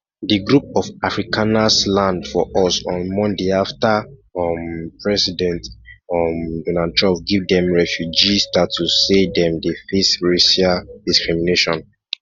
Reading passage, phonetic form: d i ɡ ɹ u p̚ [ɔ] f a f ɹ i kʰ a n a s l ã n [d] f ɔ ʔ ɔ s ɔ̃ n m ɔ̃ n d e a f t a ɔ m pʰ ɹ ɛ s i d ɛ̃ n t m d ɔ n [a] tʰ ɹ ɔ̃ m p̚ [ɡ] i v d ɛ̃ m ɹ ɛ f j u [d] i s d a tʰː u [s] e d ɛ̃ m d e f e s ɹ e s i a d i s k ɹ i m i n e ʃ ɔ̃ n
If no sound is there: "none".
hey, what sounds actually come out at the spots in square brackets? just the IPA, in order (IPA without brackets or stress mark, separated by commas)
ɔ, d, a, ɡ, d͡ʒ, s